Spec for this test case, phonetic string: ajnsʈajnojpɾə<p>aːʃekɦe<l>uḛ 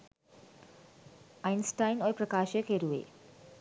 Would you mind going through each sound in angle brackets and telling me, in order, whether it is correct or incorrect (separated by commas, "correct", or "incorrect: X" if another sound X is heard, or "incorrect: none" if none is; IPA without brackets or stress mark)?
incorrect: k, incorrect: ɾ